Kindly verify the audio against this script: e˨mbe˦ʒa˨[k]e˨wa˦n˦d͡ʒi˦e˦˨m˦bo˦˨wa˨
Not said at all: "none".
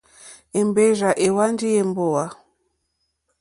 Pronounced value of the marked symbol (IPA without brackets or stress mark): ʔ